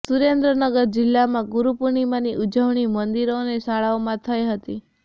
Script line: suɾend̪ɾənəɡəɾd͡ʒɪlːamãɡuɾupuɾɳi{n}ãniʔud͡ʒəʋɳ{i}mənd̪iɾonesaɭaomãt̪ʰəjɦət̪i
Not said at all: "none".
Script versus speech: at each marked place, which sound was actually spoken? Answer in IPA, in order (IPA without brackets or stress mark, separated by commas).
m, i